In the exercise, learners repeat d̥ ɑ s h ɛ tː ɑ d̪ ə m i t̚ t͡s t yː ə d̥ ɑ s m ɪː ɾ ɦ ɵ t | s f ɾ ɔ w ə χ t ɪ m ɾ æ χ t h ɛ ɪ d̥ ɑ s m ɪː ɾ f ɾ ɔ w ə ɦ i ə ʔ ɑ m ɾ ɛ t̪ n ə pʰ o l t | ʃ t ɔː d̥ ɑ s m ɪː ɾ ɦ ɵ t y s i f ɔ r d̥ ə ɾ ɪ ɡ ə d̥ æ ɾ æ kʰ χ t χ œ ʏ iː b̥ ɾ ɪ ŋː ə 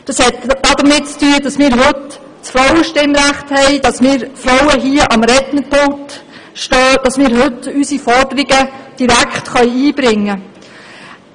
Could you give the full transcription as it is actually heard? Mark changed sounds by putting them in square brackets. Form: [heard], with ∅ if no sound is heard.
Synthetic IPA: d̥ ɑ s h ɛ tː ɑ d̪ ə m [ɪ] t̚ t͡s t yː ə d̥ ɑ s m ɪː ɾ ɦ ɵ t | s f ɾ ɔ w ə [ʃ] t ɪ m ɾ æ χ t h ɛ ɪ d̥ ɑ s m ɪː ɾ f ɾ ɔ w ə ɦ i ə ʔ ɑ m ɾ ɛ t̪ n ə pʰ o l t | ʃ t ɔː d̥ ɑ s m ɪː ɾ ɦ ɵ t y s i f ɔ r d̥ ə ɾ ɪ ɡ ə d̥ [i] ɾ æ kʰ χ t χ œ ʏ iː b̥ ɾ ɪ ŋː ə